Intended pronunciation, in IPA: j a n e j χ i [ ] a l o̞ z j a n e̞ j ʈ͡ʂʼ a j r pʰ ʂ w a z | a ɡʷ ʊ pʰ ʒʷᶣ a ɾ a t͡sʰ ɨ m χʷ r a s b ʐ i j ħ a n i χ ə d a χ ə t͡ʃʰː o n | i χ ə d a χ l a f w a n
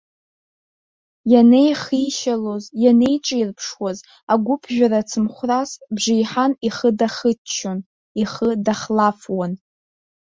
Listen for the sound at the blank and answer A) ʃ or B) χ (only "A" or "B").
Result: A